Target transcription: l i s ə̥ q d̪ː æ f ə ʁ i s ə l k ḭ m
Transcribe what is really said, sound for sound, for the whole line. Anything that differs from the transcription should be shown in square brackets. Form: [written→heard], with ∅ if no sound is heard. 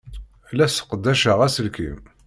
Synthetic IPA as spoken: l [i→æ] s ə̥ q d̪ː æ [f→ʃ] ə ʁ [i→æ] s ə l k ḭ m